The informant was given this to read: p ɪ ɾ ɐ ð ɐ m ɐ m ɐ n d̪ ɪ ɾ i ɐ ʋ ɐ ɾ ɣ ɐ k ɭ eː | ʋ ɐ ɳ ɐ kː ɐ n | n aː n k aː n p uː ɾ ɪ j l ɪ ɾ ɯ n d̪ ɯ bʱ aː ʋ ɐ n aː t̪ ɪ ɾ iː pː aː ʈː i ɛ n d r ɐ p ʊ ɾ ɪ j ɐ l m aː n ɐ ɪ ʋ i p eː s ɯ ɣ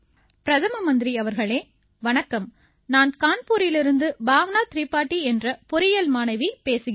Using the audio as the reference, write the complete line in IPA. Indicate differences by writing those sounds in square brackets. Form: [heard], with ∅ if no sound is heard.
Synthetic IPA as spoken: p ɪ ɾ ɐ ð ɐ m ɐ m ɐ n d̪ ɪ ɾ i ɐ ʋ ɐ ɾ ɣ ɐ [∅] ɭ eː | ʋ ɐ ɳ ɐ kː ɐ [m] | n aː n k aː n p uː ɾ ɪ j l ɪ ɾ ɯ n d̪ ɯ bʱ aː ʋ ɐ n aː t̪ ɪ ɾ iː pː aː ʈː i ɛ n d r ɐ p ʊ ɾ ɪ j ɐ l m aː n ɐ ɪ ʋ i p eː s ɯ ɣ